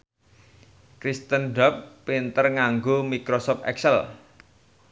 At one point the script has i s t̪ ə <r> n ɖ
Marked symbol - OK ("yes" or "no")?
no